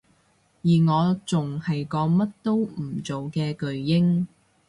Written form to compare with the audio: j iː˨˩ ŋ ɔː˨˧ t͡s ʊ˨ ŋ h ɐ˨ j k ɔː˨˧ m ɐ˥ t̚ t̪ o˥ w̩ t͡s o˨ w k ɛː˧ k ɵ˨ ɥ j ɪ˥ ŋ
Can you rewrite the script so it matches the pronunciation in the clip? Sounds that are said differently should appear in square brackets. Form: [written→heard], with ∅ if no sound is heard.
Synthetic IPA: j iː˨˩ ŋ ɔː˨˧ t͡s ʊ˨ ŋ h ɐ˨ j k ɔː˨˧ m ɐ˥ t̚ t̪ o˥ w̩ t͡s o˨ w k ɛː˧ k ɵ˨ ɥ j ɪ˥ ŋ